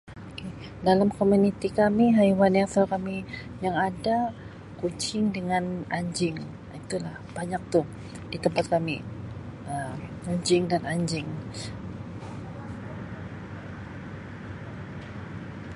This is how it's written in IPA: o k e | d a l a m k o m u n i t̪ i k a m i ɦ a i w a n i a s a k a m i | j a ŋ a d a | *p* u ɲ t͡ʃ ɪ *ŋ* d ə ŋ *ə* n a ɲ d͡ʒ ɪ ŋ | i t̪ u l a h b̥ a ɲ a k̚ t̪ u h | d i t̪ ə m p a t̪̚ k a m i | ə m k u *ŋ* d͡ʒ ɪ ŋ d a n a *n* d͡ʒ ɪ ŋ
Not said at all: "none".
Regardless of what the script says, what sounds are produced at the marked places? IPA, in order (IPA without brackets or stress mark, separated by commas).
k, ŋ, a, ɲ, ɲ